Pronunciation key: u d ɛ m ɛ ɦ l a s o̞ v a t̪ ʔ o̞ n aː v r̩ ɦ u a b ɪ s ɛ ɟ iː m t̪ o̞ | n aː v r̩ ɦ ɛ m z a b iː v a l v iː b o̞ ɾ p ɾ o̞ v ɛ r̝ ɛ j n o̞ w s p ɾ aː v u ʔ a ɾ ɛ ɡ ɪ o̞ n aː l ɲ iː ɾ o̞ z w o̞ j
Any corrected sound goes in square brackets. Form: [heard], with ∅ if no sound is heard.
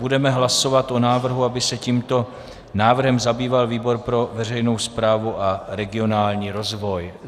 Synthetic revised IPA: u d ɛ m ɛ ɦ l a s o̞ v a t̪ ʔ o̞ n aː v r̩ ɦ u a b ɪ s ɛ [c] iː m t̪ o̞ | n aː v r̩ ɦ ɛ m z a b iː v a l v iː b o̞ ɾ p ɾ o̞ v ɛ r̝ ɛ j n o̞ w s p ɾ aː v u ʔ a ɾ ɛ ɡ ɪ o̞ n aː l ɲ iː ɾ o̞ z [v] o̞ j